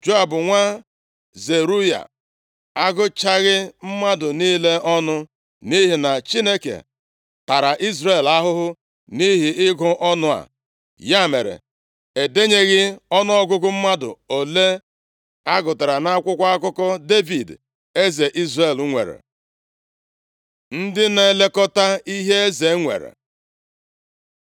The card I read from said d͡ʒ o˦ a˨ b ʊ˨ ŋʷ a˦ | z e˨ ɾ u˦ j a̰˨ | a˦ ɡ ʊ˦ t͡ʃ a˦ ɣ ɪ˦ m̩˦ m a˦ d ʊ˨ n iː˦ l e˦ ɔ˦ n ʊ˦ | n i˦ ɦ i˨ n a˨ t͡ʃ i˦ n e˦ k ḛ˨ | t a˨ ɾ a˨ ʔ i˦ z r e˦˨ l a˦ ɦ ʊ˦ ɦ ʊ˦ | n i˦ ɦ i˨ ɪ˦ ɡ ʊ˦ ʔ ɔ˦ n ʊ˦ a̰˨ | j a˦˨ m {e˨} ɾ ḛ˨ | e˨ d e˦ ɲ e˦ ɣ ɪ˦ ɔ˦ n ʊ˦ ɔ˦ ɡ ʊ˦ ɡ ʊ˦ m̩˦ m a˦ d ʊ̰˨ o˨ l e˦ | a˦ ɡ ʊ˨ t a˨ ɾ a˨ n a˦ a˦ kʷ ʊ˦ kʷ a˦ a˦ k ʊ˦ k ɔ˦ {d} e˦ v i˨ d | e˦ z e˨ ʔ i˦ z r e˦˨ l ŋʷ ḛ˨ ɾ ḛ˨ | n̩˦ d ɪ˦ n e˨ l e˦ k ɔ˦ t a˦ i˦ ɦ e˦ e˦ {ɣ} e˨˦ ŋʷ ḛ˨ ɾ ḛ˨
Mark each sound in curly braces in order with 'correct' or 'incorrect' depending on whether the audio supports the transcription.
correct, correct, incorrect: z

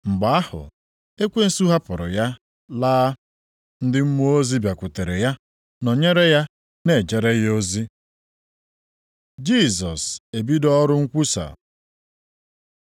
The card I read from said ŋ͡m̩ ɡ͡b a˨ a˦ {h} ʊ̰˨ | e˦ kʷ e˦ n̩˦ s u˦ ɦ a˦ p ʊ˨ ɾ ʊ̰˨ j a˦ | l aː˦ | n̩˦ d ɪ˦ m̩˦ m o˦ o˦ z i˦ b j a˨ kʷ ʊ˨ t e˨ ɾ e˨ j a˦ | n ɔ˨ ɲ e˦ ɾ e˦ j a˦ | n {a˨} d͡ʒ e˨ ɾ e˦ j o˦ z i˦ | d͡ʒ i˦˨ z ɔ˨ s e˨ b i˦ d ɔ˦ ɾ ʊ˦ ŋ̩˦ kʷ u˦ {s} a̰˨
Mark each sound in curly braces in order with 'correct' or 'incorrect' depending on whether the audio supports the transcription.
correct, incorrect: e˨, correct

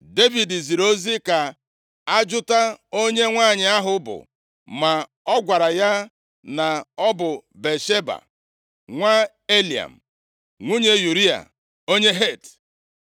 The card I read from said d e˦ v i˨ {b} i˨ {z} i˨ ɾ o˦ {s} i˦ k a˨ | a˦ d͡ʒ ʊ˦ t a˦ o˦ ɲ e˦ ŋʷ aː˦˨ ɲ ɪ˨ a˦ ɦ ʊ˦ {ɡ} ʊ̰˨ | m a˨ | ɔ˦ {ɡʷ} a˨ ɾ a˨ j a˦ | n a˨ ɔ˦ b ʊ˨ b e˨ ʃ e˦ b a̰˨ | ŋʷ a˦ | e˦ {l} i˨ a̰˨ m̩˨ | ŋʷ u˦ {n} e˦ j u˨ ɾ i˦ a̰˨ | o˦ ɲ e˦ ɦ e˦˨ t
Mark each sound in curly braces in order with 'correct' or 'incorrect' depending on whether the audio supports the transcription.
incorrect: d, correct, incorrect: z, incorrect: b, correct, correct, incorrect: ɲ

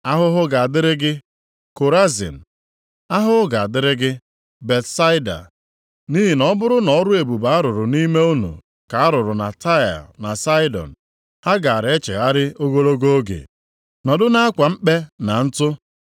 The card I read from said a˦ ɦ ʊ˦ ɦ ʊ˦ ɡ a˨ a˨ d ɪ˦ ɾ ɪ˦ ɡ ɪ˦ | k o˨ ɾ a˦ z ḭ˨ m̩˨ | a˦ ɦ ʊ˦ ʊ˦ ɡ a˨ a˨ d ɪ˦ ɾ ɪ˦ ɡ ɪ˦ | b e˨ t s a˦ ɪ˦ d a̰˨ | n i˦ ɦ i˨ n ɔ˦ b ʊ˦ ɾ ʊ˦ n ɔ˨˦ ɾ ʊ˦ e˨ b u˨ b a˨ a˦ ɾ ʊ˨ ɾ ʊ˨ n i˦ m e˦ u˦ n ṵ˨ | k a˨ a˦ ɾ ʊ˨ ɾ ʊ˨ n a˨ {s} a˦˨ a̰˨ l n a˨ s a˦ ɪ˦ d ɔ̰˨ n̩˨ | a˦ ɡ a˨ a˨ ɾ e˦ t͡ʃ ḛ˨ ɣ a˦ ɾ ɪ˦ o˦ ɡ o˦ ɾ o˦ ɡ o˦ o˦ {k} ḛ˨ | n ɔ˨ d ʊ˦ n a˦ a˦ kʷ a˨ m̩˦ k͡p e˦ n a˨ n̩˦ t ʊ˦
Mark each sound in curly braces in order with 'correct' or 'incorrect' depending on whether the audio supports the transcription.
incorrect: t, incorrect: ɡ

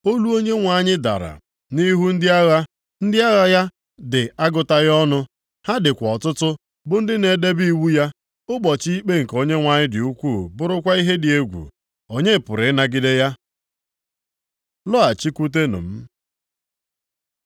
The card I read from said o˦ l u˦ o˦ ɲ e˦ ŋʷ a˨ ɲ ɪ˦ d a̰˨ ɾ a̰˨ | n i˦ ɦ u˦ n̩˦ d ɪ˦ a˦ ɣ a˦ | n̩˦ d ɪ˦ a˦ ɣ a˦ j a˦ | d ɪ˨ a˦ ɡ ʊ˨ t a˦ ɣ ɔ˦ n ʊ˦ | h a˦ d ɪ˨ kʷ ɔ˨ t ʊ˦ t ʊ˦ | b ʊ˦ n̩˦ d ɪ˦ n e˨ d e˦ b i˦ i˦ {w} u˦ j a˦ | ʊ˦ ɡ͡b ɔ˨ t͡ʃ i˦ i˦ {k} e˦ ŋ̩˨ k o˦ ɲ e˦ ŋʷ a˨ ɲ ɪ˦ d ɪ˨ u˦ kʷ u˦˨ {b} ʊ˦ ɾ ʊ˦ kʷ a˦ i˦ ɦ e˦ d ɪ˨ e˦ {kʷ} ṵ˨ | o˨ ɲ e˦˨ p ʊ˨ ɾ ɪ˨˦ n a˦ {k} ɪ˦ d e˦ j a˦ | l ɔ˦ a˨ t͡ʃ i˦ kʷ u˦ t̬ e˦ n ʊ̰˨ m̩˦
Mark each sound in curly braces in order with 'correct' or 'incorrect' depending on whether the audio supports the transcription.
correct, incorrect: k͡p, correct, incorrect: ɡʷ, incorrect: ɡ

